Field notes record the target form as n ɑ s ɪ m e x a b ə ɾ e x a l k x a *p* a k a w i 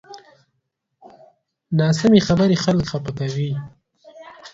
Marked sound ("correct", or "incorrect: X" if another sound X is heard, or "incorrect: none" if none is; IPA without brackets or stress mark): correct